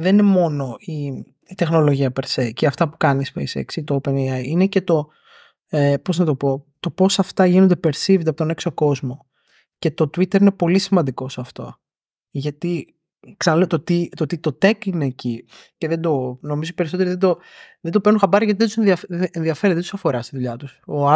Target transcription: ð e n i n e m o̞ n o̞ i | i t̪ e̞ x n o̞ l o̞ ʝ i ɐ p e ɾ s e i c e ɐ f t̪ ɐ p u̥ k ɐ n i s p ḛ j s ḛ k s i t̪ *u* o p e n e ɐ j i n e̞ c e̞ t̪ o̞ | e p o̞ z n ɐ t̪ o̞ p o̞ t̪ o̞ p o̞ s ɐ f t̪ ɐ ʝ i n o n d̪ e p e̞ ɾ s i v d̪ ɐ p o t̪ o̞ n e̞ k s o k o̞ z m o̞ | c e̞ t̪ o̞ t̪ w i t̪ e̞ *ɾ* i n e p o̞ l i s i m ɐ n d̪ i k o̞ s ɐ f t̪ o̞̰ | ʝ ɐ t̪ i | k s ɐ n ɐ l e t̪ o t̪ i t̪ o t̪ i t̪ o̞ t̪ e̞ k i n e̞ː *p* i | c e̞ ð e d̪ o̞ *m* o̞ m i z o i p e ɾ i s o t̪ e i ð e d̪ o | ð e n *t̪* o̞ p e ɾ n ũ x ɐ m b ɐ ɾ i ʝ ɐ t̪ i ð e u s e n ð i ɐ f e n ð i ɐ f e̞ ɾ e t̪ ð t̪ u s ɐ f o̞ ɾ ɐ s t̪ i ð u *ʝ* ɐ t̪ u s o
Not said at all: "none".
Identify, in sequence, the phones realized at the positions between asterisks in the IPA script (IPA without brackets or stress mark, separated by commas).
o, ɾ, c, n, d̪, ʎ